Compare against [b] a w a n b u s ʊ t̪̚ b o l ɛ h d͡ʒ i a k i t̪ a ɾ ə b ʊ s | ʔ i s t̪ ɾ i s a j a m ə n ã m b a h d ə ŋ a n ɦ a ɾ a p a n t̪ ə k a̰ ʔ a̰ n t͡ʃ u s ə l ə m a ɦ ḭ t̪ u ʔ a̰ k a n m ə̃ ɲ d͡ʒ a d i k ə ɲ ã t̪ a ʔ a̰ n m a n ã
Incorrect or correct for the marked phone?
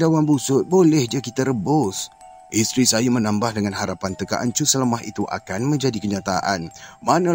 incorrect: d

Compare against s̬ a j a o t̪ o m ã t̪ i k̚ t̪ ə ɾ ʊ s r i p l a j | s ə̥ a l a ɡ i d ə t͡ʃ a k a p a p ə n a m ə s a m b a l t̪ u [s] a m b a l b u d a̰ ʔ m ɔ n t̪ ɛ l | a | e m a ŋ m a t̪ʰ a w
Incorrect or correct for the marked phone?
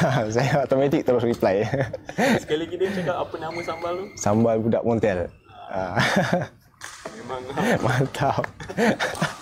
correct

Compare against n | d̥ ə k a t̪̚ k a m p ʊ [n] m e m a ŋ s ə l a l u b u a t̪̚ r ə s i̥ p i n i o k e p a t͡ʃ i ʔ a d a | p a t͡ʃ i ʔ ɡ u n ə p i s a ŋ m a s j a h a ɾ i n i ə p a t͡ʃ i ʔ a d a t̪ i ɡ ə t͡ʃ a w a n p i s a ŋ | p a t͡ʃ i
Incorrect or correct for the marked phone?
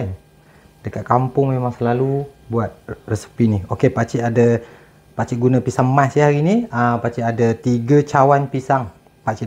incorrect: ŋ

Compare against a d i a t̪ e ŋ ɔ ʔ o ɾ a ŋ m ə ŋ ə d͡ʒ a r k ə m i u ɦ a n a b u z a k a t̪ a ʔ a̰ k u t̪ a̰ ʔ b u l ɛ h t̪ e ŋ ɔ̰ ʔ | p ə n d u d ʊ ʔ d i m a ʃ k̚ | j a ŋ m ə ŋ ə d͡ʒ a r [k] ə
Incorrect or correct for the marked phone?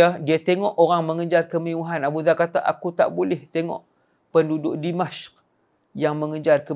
correct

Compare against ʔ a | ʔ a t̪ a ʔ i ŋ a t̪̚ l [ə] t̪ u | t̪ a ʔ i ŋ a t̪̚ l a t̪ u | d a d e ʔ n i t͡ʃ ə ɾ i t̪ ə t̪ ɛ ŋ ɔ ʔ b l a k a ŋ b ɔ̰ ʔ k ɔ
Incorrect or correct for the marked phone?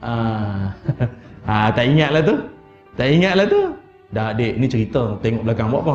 incorrect: a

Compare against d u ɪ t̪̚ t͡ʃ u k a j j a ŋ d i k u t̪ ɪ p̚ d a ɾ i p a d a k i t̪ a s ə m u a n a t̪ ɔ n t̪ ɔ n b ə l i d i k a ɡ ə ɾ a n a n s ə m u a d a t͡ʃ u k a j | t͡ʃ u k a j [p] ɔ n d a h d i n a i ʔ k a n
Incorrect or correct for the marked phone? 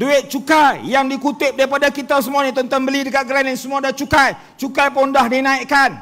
correct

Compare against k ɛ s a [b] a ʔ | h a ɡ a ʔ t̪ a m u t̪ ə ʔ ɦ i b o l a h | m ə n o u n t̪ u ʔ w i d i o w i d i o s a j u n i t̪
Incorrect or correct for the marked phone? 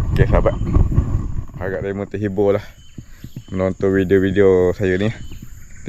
correct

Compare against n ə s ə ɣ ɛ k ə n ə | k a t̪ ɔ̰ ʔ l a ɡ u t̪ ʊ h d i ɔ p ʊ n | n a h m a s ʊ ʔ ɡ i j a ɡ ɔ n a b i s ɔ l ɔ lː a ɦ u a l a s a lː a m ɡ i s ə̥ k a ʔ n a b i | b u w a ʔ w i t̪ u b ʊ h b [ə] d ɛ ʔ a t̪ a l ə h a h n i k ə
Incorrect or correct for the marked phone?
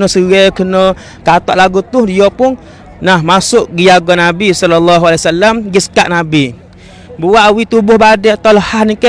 incorrect: a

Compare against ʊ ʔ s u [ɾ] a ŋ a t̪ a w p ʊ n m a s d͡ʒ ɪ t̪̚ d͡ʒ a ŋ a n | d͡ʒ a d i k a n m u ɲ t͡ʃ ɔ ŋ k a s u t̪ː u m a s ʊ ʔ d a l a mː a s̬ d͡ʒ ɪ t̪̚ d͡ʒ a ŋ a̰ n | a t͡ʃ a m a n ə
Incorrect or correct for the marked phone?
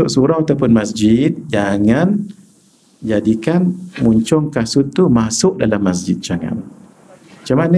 correct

